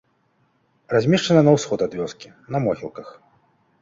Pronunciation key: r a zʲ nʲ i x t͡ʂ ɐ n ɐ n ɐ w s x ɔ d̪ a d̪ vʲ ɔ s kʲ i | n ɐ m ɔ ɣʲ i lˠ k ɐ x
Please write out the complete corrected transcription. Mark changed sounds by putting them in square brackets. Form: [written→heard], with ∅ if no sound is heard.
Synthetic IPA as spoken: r a zʲ [nʲ→mʲ] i [x→ʂ] t͡ʂ ɐ n ɐ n ɐ w s x ɔ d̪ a d̪ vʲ ɔ s kʲ i | n ɐ m ɔ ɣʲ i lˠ k ɐ x